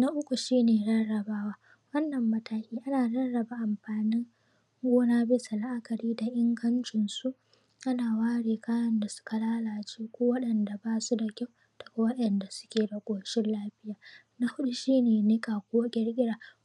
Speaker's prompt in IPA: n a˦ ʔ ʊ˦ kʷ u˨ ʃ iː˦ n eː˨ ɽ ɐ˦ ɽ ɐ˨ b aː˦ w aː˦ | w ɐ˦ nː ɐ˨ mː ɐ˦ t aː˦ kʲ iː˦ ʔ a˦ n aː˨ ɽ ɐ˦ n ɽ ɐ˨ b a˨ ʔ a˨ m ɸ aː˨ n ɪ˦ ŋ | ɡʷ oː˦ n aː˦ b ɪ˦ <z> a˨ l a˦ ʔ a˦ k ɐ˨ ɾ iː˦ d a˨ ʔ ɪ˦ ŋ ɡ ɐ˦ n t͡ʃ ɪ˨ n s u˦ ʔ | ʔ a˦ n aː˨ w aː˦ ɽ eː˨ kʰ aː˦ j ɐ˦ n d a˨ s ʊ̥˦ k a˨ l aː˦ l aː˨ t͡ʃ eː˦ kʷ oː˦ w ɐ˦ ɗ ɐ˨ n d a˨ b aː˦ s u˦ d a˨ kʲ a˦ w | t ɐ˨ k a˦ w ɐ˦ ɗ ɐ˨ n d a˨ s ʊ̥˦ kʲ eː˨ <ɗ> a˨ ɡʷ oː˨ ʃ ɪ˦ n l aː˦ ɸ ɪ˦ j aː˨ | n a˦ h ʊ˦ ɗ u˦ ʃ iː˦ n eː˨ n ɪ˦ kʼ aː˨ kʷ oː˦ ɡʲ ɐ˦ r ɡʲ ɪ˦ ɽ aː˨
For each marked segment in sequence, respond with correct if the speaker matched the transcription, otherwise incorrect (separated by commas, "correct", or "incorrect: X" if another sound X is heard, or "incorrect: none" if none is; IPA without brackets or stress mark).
incorrect: s, incorrect: d